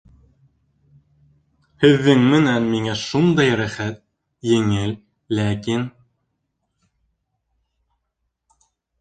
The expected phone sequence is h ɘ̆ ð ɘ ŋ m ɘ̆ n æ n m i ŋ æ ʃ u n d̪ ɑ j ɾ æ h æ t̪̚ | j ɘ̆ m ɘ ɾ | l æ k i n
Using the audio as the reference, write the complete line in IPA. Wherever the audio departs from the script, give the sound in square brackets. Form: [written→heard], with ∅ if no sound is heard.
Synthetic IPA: h ɘ̆ [ð→ðː] ɘ ŋ m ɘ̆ n æ n m i ŋ æ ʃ u n d̪ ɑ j ɾ æ [h→χ] æ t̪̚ | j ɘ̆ [m→ŋ] ɘ [ɾ→l] | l æ k i n